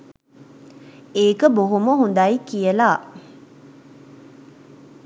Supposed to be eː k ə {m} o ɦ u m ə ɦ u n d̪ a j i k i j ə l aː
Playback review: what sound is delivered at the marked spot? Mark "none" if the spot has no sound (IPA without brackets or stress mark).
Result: b